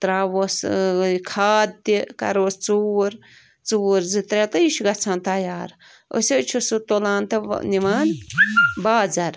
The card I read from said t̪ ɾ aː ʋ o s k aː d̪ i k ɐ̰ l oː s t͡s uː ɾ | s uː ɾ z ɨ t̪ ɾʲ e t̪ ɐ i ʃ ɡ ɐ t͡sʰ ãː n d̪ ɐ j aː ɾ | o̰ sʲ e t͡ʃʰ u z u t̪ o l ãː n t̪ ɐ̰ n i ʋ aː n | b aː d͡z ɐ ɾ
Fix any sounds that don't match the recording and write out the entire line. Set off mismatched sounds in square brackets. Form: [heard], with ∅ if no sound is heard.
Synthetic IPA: t̪ ɾ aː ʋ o s [kʰ] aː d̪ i k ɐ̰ [ɾ] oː s t͡s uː ɾ | [t͡s] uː ɾ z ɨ t̪ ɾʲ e t̪ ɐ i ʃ ɡ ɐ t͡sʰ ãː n [t̪] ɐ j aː ɾ | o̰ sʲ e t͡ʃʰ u [s] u t̪ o l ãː n t̪ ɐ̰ n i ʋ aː n | b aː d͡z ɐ ɾ